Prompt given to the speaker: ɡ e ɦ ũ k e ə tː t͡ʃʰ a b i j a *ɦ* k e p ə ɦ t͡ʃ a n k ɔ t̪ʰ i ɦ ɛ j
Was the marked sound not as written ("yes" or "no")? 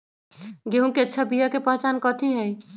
yes